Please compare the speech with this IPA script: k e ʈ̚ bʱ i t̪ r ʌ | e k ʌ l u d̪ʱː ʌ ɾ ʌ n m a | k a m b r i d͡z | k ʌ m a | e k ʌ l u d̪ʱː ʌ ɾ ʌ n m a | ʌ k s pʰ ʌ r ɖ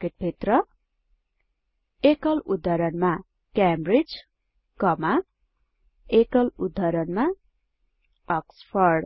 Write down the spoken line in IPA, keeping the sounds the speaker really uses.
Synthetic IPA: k e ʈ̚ bʱ i t̪ r ʌ | e k ʌ l u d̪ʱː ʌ ɾ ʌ n m a | k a m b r i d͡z | k ʌ m a | e k ʌ l u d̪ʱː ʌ ɾ ʌ n m a | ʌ k s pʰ ʌ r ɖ